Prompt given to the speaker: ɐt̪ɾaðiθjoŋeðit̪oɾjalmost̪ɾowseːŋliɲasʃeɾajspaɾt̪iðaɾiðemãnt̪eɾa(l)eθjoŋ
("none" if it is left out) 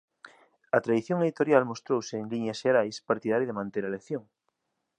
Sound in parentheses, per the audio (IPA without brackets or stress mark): l